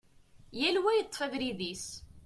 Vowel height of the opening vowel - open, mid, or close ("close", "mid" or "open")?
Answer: open